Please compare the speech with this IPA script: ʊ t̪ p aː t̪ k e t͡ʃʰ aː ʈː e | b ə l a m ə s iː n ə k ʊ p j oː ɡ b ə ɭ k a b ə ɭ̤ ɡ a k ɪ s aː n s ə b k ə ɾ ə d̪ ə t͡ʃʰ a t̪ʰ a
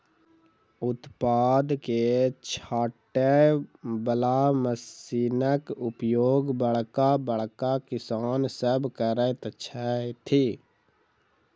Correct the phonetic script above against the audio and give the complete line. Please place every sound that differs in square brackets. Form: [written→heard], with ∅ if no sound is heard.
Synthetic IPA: ʊ t̪ p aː [t̪→d̪] k e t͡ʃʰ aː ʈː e | b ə l a m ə s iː n ə k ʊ p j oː ɡ b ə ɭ k a b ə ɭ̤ [ɡ→k] a k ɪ s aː n s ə b k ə ɾ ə [d̪→t̪] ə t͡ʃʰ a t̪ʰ [a→i]